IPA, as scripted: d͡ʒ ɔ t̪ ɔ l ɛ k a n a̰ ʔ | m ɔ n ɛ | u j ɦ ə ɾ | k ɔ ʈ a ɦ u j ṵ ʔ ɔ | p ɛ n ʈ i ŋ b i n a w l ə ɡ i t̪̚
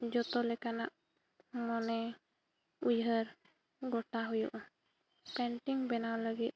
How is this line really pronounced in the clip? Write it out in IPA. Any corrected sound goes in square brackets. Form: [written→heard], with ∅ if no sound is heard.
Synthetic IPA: d͡ʒ ɔ t̪ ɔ l ɛ k a n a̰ ʔ | m ɔ n ɛ | u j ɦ ə ɾ | [k→ɡ] ɔ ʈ a ɦ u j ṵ ʔ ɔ | p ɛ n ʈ i ŋ b [i→ɛ] n a w l ə ɡ i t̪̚